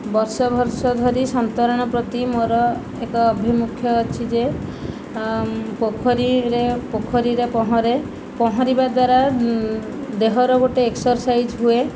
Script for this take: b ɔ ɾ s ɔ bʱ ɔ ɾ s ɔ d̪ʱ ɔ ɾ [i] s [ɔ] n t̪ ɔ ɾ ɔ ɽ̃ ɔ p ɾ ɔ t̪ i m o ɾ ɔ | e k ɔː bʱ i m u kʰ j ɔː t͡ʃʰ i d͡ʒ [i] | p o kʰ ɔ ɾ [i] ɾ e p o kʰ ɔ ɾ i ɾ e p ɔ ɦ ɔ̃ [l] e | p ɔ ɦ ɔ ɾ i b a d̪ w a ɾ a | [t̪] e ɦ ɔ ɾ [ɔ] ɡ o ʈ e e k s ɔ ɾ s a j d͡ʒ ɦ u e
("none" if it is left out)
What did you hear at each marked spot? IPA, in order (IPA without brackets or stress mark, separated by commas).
i, ɔ, e, i, ɾ, d̪, ɔ